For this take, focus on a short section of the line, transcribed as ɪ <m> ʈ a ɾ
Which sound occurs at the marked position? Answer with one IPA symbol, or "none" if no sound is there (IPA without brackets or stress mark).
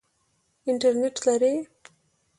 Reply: ɳ